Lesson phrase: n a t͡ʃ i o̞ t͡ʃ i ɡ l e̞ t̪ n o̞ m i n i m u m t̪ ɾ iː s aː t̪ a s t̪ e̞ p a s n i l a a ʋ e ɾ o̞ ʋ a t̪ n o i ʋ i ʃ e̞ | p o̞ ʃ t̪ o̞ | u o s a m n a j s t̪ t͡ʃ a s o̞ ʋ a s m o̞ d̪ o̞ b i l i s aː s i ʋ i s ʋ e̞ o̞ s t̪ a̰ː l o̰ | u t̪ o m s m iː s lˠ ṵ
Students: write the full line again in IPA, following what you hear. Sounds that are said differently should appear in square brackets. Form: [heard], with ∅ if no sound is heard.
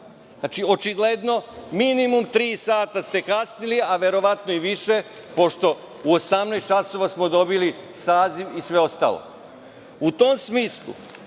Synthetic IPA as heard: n a t͡ʃ i o̞ t͡ʃ i ɡ l e̞ [d̪] n o̞ m i n i m u m t̪ ɾ iː s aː t̪ a s t̪ e̞ [k] a s n i l [i] a ʋ e ɾ o̞ ʋ a t̪ n o i ʋ i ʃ e̞ | p o̞ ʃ t̪ o̞ | u o s a m n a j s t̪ t͡ʃ a s o̞ ʋ a s m o̞ d̪ o̞ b i l i s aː [z] i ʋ i s ʋ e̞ o̞ s t̪ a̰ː l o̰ | u t̪ o m s m iː s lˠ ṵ